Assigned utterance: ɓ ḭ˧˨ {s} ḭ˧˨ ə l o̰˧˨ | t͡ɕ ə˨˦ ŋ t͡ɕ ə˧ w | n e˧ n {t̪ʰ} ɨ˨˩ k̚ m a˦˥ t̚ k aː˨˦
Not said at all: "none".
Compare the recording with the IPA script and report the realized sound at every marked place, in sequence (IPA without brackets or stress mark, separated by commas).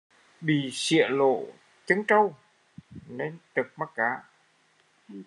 s, t̪